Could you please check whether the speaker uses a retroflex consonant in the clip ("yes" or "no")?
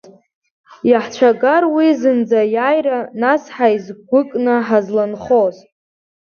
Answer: no